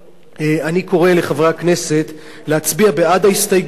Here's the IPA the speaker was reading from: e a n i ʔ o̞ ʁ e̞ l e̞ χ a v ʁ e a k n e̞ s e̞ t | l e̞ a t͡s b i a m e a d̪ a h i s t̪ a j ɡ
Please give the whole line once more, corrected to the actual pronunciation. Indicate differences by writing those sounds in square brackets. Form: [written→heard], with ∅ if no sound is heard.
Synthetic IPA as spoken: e a n i [ʔ→k] o̞ ʁ e̞ l e̞ χ a v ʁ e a k n e̞ s e̞ t | l e̞ a t͡s b i a [m→b] e a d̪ a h i s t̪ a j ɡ